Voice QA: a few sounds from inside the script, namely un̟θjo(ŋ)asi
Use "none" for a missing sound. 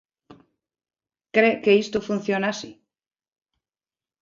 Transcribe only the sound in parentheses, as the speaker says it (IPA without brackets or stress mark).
n